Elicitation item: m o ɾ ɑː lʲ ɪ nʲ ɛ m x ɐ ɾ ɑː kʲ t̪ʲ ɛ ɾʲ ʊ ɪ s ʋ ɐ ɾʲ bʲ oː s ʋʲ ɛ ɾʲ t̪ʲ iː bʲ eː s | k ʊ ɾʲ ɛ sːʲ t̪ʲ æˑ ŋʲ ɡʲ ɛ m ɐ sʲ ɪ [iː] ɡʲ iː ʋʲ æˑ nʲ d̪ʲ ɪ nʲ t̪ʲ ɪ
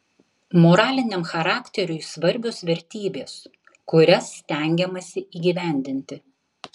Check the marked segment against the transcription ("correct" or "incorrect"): correct